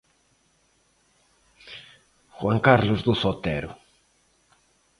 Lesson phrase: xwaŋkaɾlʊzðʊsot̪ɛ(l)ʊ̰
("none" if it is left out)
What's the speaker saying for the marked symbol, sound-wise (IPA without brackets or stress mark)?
ɾ